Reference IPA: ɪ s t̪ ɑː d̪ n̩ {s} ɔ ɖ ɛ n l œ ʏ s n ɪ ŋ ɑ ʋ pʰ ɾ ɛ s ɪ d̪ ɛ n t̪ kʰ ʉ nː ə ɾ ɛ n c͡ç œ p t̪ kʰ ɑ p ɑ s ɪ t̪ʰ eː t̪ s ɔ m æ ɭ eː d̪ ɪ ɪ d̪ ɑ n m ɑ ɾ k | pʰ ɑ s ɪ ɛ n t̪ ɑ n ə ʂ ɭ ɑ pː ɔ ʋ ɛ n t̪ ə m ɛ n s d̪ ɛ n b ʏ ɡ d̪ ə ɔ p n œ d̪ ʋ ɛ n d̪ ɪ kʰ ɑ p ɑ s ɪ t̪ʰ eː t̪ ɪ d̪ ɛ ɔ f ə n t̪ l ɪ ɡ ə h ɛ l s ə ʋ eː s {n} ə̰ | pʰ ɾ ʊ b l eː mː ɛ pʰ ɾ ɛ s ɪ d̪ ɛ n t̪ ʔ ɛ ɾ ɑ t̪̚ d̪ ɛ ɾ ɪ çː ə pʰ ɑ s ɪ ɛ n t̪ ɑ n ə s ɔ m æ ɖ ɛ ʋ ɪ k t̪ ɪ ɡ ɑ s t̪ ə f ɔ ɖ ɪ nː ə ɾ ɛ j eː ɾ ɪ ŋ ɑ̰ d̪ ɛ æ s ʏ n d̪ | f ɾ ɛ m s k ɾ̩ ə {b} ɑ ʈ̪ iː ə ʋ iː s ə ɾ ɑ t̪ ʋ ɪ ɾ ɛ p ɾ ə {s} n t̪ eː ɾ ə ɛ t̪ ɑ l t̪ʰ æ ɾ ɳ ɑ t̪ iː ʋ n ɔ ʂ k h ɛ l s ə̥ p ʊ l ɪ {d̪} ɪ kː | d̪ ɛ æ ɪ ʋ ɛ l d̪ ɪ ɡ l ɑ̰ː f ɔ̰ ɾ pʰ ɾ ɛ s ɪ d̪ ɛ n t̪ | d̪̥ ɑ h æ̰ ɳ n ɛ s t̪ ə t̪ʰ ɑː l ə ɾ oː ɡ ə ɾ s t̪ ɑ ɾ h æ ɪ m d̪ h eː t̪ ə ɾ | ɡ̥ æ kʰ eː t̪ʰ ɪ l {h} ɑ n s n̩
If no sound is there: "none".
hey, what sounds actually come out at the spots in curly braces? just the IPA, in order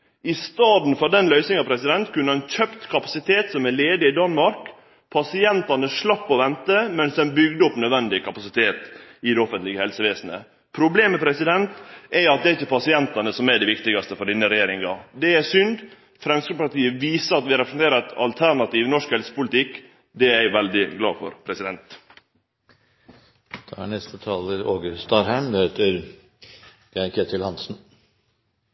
f, n, p, s, t̪, h

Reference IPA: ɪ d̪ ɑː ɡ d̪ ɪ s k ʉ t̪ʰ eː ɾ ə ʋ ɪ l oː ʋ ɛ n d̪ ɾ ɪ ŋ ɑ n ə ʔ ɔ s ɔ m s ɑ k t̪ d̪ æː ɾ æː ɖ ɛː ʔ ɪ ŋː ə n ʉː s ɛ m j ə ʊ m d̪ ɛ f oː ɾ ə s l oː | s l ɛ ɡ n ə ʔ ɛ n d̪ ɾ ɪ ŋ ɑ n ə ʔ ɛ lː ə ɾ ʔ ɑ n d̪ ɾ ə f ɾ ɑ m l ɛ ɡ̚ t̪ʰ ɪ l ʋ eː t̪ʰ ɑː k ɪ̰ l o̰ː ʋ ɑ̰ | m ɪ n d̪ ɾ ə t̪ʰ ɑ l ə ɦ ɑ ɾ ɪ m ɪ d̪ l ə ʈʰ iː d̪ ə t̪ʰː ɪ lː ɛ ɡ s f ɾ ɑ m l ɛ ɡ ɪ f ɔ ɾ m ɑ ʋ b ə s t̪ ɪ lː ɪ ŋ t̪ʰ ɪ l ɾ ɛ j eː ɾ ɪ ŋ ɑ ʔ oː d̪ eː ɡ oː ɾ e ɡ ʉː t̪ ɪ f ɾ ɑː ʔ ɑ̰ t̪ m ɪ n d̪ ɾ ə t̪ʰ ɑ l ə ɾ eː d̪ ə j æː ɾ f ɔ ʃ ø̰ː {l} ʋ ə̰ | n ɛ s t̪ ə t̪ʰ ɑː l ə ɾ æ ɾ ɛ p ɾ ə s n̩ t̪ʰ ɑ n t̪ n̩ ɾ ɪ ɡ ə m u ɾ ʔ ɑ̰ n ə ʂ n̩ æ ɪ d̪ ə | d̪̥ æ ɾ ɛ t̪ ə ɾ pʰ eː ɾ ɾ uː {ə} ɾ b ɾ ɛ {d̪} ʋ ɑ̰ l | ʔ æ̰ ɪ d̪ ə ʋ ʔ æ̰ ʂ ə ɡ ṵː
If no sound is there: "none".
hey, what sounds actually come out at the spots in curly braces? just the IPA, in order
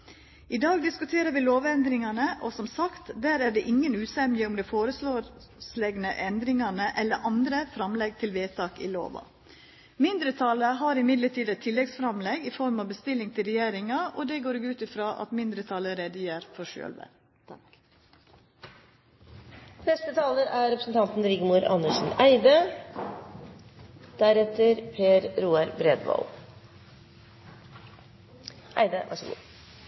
l, ɑ, d̪

